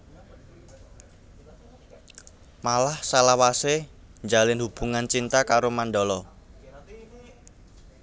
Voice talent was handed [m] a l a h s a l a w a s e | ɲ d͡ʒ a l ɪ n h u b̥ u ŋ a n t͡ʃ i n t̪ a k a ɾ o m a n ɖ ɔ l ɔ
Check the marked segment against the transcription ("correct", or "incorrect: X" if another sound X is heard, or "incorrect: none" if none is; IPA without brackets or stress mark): correct